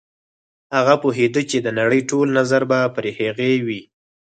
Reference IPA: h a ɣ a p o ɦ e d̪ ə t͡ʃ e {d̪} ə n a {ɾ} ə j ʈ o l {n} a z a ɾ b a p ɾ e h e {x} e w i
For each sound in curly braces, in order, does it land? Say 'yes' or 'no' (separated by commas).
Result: yes, no, yes, no